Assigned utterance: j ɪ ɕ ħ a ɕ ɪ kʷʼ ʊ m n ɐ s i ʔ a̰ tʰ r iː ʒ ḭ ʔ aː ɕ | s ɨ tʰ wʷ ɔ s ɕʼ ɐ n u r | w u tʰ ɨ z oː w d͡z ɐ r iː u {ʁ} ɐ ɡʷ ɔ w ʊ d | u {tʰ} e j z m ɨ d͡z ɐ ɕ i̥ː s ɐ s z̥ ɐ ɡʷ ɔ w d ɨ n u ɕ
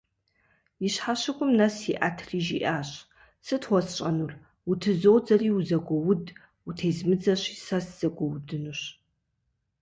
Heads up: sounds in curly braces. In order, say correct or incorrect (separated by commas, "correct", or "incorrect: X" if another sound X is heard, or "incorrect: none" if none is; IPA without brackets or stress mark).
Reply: incorrect: z, correct